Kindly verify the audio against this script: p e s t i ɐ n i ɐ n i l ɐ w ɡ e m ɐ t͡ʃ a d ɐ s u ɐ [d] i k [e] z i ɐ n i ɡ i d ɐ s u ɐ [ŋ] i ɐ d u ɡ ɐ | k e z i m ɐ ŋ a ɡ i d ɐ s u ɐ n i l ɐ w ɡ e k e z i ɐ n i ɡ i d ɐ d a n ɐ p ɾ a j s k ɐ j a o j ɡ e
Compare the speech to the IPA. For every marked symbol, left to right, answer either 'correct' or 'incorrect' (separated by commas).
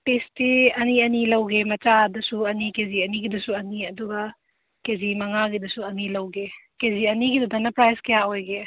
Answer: incorrect, correct, incorrect